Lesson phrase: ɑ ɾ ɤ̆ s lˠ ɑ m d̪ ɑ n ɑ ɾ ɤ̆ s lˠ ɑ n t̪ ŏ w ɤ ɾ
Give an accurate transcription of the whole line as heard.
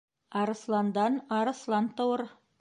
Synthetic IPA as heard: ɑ ɾ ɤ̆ s lˠ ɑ n d̪ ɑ n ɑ ɾ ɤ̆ s lˠ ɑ n t̪ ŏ w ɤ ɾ